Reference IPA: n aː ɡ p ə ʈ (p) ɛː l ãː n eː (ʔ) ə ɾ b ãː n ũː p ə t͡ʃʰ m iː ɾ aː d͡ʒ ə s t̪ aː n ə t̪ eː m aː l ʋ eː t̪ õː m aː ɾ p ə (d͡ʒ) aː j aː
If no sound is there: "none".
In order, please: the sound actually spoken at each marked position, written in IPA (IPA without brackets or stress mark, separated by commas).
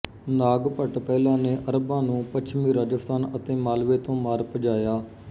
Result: p, ʔ, d͡ʒ